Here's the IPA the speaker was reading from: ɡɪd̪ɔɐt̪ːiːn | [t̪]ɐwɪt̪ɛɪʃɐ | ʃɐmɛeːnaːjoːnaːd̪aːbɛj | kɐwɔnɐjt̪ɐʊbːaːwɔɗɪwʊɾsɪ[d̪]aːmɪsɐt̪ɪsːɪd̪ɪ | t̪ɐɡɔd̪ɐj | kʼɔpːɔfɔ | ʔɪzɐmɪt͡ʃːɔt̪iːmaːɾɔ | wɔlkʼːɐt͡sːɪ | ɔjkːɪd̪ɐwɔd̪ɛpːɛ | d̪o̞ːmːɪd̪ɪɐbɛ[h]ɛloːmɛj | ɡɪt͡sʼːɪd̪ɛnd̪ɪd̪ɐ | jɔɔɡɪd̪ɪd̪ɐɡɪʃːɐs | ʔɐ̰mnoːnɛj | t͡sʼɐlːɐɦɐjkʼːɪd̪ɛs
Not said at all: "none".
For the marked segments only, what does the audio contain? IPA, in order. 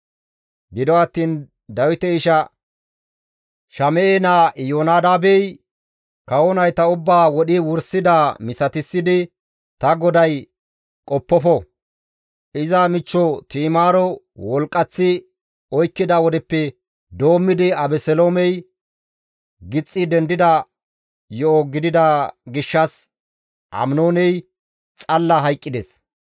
d̪, d̪, s

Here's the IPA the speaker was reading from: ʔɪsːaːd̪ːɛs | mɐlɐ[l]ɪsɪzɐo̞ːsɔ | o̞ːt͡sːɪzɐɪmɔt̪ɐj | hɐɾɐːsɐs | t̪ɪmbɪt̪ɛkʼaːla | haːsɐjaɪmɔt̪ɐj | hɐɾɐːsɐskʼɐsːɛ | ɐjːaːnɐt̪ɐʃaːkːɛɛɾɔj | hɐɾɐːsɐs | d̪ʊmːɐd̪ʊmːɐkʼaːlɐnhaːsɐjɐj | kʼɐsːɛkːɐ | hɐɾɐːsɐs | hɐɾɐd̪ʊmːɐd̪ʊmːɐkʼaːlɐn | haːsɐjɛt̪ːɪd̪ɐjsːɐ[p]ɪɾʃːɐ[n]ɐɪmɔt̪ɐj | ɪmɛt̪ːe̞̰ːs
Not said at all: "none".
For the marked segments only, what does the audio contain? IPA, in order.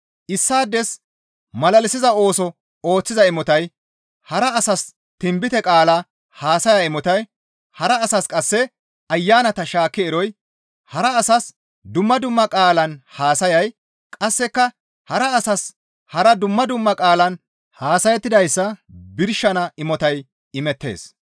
l, b, n

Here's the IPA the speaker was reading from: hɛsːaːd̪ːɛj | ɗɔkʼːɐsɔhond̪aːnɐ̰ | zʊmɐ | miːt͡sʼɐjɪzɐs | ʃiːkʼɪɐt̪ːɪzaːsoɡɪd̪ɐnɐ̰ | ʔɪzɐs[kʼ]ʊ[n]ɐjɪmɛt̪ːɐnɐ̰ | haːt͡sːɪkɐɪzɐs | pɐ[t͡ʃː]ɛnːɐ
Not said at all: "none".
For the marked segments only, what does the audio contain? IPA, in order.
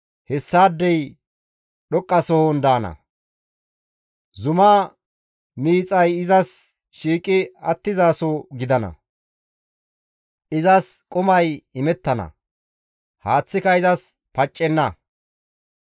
kʼ, m, t͡ʃʼː

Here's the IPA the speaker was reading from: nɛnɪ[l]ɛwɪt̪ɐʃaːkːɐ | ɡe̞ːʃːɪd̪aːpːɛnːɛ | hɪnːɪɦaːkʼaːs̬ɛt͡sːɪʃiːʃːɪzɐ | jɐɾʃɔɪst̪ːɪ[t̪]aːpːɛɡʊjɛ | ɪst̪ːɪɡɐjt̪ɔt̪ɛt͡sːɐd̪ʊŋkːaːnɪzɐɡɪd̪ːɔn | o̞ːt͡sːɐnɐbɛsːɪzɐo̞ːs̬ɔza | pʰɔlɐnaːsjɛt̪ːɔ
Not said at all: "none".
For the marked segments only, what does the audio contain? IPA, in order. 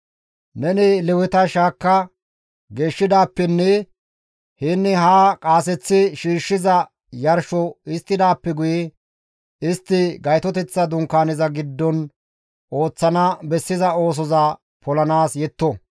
l, d̪

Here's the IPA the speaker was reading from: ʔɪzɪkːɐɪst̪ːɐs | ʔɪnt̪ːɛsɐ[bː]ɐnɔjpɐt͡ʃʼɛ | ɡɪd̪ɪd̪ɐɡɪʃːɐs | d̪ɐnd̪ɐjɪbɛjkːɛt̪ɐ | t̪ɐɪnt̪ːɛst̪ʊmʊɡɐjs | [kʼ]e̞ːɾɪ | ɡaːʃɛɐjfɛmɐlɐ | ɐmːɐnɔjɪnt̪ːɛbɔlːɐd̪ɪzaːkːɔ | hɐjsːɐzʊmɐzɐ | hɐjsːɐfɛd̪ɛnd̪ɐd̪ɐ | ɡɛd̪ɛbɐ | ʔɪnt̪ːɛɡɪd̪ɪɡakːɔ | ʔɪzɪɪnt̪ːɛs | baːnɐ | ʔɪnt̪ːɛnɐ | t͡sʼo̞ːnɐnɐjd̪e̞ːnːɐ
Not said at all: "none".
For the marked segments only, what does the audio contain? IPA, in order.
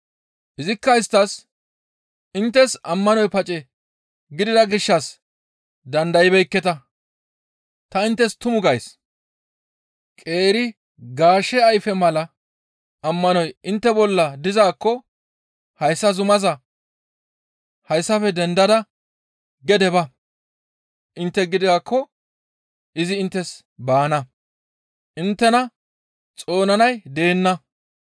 mː, kʼ

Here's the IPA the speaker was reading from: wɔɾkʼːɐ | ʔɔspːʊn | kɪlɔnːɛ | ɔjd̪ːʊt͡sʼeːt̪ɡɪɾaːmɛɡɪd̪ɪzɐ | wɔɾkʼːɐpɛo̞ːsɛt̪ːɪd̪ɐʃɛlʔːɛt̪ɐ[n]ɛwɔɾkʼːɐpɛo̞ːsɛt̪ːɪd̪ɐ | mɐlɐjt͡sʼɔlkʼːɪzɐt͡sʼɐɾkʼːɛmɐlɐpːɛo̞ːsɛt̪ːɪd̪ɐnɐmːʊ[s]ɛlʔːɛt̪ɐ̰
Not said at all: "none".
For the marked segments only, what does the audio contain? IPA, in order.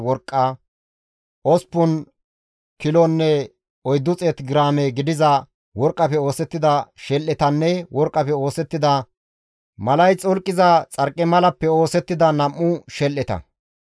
nː, ʃ

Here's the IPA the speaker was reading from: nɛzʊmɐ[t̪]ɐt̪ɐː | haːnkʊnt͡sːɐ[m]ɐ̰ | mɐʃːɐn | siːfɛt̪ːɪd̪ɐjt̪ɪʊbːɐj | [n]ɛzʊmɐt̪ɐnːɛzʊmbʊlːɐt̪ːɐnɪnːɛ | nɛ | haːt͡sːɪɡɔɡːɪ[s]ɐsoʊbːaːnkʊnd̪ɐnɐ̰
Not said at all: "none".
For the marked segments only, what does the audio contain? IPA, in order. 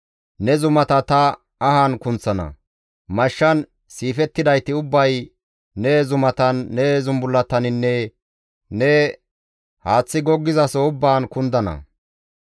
t̪, n, n, z

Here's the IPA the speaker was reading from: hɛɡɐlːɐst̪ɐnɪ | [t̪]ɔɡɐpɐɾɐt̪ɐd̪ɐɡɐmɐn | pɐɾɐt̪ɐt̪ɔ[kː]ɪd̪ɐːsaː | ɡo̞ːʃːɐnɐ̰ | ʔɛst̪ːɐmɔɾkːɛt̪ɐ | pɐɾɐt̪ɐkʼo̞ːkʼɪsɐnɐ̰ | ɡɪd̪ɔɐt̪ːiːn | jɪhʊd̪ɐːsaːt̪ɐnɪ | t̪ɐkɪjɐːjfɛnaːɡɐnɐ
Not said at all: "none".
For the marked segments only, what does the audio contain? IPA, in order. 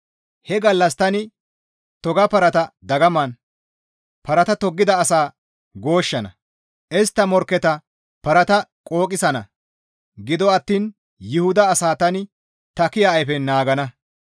t̪, ɡː

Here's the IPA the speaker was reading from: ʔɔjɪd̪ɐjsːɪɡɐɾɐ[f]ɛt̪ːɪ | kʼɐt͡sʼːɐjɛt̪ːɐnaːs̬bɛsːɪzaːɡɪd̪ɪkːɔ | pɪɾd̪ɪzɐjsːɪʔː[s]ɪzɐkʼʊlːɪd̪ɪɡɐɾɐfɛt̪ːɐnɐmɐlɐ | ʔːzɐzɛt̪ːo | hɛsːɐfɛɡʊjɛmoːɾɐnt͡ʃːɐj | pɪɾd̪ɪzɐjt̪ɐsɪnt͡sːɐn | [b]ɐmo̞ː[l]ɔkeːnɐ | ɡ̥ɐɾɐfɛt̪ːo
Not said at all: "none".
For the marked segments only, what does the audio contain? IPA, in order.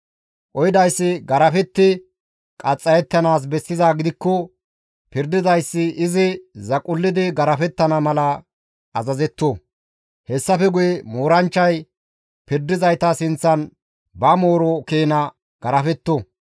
f, z, b, ɾ

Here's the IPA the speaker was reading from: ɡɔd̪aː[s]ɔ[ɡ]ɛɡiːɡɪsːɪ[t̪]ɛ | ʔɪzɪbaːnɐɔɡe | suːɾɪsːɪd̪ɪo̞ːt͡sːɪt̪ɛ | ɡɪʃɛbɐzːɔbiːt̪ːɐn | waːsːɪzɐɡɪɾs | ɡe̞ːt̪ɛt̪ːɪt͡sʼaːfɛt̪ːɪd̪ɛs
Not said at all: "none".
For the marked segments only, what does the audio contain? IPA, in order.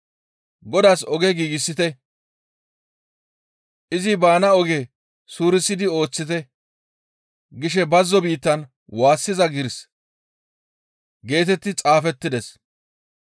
s, ɡ, t̪

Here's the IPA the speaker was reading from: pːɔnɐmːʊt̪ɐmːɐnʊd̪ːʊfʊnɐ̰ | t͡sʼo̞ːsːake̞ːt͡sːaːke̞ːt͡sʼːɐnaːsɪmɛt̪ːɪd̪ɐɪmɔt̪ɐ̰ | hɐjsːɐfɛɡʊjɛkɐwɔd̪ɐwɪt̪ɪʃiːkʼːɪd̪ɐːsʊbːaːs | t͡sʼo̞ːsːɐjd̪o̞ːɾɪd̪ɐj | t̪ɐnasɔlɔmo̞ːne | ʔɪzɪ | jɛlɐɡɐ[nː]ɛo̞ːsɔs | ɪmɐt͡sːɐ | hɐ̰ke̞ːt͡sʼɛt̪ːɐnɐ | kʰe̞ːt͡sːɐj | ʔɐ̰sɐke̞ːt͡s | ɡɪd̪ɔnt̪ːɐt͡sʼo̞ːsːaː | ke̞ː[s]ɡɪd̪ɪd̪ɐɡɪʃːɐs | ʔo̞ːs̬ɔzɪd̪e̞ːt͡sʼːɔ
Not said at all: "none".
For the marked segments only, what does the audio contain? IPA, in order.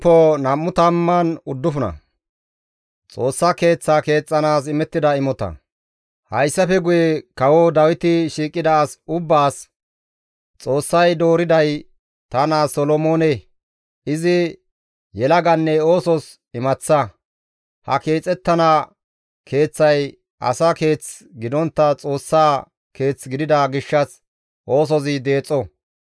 nː, t͡s

